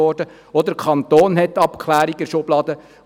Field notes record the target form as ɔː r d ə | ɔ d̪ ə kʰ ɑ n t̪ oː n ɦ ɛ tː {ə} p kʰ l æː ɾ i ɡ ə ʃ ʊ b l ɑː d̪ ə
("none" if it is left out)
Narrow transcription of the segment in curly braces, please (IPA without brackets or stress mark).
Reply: ɑ